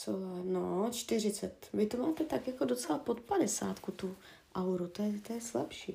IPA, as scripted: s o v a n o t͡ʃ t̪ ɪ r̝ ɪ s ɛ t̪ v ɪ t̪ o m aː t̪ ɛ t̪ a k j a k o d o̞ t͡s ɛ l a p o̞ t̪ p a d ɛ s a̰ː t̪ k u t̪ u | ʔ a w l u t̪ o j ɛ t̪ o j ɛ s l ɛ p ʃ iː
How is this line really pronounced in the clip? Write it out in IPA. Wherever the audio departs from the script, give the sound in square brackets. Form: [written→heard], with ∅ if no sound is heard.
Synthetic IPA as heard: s o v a n o t͡ʃ t̪ ɪ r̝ ɪ [s→t͡s] ɛ t̪ v ɪ t̪ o m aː t̪ ɛ t̪ a k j a k o d o̞ t͡s ɛ l a p o̞ t̪ p a d ɛ s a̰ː t̪ k u t̪ u | ʔ a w [l→ɾ] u t̪ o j ɛ t̪ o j ɛ s l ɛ p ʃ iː